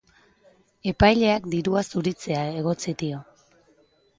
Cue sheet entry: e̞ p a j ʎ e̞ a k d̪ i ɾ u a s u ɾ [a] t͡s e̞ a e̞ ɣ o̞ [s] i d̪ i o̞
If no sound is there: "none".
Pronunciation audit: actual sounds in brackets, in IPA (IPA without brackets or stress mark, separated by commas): i, t͡s